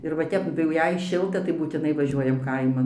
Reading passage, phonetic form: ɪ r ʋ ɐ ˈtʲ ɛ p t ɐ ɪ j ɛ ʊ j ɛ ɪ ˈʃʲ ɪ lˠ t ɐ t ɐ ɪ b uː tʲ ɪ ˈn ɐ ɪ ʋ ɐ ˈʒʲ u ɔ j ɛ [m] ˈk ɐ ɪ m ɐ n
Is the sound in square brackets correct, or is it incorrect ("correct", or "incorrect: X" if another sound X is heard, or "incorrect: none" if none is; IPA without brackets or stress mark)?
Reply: correct